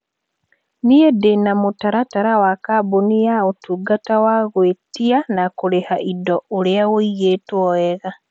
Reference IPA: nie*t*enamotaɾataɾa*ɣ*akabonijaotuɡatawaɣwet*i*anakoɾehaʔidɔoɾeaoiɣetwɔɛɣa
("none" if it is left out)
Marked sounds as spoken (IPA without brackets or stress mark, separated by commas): d, w, i